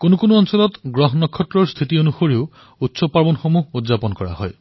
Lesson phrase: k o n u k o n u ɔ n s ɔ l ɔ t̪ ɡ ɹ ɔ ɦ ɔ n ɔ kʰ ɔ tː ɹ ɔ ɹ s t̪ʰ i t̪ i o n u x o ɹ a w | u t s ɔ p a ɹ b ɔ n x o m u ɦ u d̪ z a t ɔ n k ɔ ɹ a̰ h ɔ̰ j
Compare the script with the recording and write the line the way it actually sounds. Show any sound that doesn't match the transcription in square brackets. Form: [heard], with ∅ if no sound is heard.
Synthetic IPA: k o n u k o n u ɔ n s ɔ l ɔ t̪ ɡ ɹ ɔ ɦ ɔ n ɔ kʰ ɔ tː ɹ ɔ ɹ s t̪ʰ i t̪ i o n u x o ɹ [i] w | u t s ɔ p a ɹ b ɔ n x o m u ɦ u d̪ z a [p] ɔ n k ɔ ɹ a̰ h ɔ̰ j